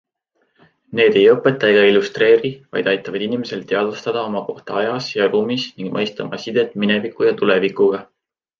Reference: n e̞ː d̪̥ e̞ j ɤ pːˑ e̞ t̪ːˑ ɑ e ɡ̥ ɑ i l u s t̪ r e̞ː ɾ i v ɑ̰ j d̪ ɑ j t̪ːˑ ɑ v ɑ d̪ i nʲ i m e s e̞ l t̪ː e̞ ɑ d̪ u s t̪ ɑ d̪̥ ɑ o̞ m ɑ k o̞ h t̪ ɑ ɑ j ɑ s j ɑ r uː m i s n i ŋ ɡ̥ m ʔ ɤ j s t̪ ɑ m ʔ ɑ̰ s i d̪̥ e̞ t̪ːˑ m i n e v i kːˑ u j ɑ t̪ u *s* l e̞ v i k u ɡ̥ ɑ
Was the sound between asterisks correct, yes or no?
no